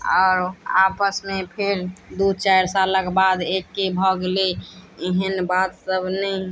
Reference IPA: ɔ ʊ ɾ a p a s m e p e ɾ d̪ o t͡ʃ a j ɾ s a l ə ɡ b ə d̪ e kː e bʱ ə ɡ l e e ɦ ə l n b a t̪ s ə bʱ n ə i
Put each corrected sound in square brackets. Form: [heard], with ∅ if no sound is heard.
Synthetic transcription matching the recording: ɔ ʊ ɾ a p [ə] s m e [pʰ] e ɾ d̪ [u] t͡ʃ a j ɾ s a l ə [k] b [a] d̪ e kː e bʱ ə ɡ l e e ɦ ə [∅] n b a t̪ s ə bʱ n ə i